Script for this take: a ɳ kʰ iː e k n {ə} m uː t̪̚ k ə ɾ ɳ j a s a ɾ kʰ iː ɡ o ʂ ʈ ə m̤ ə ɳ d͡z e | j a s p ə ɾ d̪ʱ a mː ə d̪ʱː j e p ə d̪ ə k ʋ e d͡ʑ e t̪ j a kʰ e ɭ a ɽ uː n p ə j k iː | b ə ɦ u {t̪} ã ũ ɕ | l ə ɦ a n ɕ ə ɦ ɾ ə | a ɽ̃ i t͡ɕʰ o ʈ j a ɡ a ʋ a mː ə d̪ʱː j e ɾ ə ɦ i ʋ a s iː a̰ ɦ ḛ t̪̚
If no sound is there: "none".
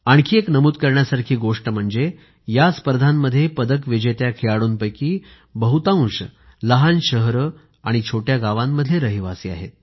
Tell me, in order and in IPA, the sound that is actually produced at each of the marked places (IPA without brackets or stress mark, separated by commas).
ə, t̪